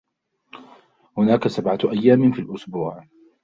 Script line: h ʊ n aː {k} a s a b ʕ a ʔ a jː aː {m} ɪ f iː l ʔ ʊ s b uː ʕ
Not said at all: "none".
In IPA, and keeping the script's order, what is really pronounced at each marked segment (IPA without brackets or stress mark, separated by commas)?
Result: k, m